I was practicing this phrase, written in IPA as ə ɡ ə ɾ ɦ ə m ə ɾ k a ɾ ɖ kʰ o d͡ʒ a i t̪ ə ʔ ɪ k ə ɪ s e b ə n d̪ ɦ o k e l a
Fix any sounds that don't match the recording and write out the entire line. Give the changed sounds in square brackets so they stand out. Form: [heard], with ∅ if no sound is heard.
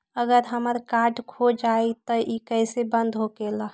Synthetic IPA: ə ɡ ə ɾ ɦ ə m ə ɾ k a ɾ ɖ kʰ o d͡ʒ a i t̪ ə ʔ [i] k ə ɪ s e b ə n d̪ ɦ o k e l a

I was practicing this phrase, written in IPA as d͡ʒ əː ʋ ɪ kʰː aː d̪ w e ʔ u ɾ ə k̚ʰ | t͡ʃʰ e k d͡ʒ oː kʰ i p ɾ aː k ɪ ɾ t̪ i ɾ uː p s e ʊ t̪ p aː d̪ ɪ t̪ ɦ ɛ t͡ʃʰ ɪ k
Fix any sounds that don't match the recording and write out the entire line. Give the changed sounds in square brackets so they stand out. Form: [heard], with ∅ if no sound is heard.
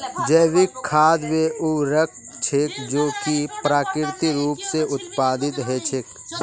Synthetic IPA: d͡ʒ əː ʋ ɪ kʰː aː d̪ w e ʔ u ɾ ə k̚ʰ | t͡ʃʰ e k d͡ʒ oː [k] i p ɾ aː k ɪ ɾ t̪ i ɾ uː p s e ʊ t̪ p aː d̪ ɪ t̪ ɦ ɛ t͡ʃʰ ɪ k

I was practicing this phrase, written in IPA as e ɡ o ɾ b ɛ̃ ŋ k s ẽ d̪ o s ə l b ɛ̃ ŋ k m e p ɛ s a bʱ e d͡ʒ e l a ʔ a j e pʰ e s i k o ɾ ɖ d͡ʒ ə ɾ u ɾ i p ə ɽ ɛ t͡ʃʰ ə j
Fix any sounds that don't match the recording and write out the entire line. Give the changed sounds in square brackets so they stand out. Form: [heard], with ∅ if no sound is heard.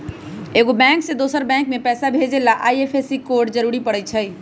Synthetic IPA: e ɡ o [∅] b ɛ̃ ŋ k s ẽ d̪ o s ə [ɾ] b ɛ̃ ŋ k m e p ɛ s a bʱ e d͡ʒ e l a ʔ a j e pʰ e s i k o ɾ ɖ d͡ʒ ə ɾ u ɾ i p ə ɽ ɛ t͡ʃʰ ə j

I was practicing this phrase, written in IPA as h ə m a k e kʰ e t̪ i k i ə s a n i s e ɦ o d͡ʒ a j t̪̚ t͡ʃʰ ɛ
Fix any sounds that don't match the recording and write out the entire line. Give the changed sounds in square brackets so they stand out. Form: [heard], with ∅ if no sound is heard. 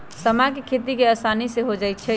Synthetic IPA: [s] ə m a k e kʰ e t̪ i k [e] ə s a n i s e ɦ o d͡ʒ a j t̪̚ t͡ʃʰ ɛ

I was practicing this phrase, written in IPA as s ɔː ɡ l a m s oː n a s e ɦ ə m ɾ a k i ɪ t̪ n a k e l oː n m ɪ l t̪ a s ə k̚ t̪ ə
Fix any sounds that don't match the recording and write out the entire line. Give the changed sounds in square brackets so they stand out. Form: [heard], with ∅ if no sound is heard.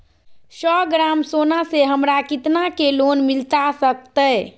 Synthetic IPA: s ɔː ɡ [ɾ] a m s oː n a s e ɦ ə m ɾ a k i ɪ t̪ n a k e l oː n m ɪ l t̪ a s ə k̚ t̪ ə

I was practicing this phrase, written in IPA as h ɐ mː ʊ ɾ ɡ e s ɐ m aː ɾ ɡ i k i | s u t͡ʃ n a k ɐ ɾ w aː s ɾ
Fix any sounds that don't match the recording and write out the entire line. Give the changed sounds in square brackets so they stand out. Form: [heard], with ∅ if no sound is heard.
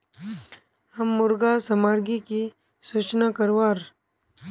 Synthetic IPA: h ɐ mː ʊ ɾ ɡ [a] s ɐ m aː ɾ ɡ i k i | s u t͡ʃ n a k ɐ ɾ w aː [∅] ɾ

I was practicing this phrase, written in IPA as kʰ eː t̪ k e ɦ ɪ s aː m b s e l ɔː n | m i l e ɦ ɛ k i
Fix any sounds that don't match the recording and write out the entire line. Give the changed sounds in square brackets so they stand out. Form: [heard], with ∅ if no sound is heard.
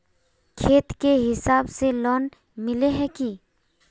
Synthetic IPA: kʰ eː t̪ k e ɦ ɪ s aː [∅] b s e l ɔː n | m [ɪ] l e ɦ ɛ k i

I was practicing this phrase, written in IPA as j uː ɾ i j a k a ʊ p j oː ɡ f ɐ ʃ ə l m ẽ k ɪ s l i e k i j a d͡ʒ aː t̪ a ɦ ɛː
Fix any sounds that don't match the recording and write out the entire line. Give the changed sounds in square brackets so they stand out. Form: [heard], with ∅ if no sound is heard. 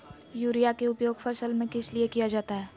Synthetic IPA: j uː ɾ i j a k [e] ʊ p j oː ɡ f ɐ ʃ ə l m ẽ k ɪ s l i e k i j a d͡ʒ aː t̪ a ɦ ɛː

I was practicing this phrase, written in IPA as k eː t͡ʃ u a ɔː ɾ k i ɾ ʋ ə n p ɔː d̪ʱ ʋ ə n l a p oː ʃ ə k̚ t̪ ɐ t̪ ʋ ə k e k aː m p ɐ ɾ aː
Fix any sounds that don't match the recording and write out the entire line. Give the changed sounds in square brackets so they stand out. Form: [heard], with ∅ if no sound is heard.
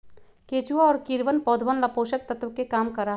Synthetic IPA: k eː t͡ʃ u a ɔː ɾ k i ɾ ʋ ə n p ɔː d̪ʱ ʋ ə n l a p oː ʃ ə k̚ t̪ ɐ t̪ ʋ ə k e k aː m [k] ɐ ɾ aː

